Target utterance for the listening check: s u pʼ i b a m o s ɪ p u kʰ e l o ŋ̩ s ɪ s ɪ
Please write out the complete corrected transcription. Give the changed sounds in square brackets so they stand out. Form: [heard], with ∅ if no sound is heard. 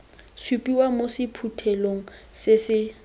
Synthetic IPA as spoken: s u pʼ i [w] a m o s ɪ [pʰ] u [tʰ] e l o ŋ̩ s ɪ s ɪ